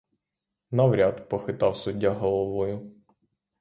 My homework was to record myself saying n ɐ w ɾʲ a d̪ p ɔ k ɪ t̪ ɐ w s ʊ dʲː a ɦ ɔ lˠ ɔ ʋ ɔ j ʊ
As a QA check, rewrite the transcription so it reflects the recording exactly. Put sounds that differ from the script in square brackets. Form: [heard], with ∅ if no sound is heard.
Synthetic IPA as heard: n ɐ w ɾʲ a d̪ p ɔ [x] ɪ t̪ [ɑ] w s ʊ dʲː a ɦ ɔ lˠ ɔ ʋ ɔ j ʊ

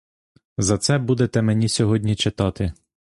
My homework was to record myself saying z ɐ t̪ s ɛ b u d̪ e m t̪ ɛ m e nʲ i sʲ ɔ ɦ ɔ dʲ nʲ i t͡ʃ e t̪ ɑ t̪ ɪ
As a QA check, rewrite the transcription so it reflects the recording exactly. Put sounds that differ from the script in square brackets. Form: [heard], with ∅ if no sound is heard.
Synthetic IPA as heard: z ɐ t̪ s ɛ b u d̪ e [∅] t̪ ɛ m e nʲ i sʲ ɔ ɦ ɔ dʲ nʲ i t͡ʃ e t̪ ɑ t̪ ɪ

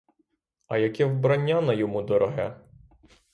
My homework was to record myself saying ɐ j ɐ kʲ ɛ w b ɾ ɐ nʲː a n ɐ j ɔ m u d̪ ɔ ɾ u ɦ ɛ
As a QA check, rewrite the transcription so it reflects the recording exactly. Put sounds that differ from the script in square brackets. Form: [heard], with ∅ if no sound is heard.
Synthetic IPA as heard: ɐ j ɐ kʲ ɛ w b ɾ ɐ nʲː a n ɐ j ɔ m u d̪ ɔ ɾ [ɔ] ɦ ɛ

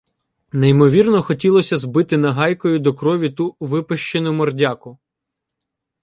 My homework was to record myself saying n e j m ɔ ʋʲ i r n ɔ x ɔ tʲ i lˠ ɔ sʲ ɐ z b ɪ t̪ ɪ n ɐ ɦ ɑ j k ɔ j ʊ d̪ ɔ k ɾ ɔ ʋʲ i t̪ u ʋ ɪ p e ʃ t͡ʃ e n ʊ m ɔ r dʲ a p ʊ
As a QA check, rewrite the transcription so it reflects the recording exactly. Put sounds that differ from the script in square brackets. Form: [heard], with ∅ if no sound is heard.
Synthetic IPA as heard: n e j m ɔ ʋʲ i r n ɔ x ɔ tʲ i lˠ ɔ sʲ ɐ z b ɪ t̪ ɪ n ɐ ɦ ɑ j k ɔ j ʊ d̪ ɔ k ɾ ɔ ʋʲ i t̪ u ʋ ɪ p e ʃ t͡ʃ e n ʊ m ɔ r dʲ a [k] ʊ

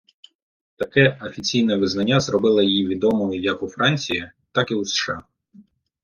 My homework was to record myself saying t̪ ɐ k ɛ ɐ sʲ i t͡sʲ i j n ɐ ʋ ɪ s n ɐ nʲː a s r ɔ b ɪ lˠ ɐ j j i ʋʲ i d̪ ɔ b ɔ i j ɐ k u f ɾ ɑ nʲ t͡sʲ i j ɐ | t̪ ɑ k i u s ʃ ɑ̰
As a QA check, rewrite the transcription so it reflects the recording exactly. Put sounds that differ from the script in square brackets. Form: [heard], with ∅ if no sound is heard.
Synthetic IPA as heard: t̪ ɐ k ɛ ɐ [fʲ] i t͡sʲ i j n ɐ ʋ ɪ [z] n ɐ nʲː a [z] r ɔ b ɪ lˠ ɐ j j i ʋʲ i d̪ ɔ [m] ɔ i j ɐ k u f ɾ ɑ nʲ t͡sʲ i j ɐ | t̪ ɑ k i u s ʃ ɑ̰

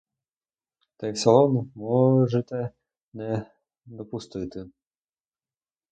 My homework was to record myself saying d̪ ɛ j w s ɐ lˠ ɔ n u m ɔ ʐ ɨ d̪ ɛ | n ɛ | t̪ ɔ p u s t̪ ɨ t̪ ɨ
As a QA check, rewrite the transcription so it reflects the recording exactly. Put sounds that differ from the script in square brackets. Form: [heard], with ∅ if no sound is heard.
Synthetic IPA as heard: [t̪] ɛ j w s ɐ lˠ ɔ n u m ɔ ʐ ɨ [t̪] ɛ | n ɛ | [d̪] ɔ p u s t̪ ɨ t̪ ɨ

